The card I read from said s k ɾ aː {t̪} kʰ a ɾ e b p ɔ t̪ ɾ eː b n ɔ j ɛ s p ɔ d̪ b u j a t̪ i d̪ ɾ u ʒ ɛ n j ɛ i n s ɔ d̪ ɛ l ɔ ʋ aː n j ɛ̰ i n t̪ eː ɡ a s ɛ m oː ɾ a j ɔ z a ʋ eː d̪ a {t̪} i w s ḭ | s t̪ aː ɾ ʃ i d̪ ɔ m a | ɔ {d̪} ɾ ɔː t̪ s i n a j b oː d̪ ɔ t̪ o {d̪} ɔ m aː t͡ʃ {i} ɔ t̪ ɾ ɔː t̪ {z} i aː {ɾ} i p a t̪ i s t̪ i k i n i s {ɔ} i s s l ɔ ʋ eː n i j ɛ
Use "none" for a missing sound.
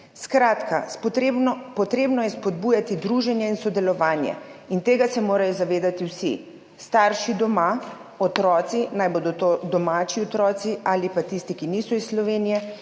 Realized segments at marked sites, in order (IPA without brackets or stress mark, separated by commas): t̪, t̪, t̪, d̪, i, s, l, ɔ